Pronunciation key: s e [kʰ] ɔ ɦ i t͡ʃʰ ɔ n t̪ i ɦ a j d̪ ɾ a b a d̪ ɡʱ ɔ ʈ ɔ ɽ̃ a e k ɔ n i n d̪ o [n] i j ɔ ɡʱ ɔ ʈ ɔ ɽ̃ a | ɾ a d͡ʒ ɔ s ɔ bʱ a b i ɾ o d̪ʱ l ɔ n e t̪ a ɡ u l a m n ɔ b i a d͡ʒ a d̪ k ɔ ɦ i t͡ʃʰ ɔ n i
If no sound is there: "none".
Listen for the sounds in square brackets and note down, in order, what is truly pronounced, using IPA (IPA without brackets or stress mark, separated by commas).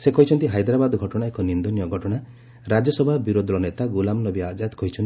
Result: k, n